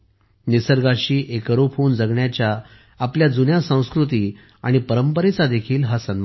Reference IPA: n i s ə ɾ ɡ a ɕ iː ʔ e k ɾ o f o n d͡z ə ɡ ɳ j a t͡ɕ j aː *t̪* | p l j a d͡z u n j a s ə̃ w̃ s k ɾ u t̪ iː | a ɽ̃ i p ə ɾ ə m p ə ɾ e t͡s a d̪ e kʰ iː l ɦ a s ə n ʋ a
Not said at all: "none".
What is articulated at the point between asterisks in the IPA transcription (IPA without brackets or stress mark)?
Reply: none